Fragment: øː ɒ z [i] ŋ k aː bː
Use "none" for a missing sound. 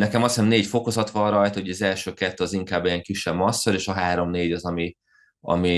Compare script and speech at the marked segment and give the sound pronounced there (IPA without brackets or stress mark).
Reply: i